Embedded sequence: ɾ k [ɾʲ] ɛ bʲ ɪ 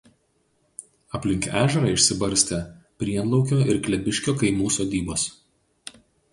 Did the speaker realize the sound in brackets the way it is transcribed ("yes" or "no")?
no